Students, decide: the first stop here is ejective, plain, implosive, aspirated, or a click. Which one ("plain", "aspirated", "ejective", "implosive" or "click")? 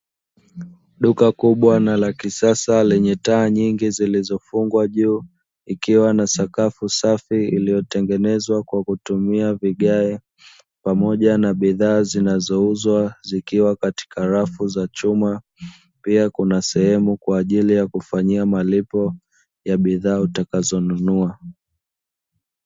implosive